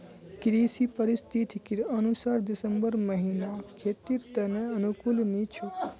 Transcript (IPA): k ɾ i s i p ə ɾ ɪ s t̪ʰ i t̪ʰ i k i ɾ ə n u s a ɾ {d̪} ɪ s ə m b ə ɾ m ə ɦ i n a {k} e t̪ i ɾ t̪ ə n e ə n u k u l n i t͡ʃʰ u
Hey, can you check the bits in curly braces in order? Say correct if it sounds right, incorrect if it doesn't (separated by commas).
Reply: correct, incorrect